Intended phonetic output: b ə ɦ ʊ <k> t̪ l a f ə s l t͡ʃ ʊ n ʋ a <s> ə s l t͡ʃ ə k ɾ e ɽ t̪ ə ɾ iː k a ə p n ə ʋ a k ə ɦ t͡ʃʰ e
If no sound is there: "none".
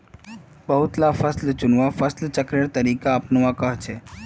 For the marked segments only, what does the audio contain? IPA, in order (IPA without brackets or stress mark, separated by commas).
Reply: none, f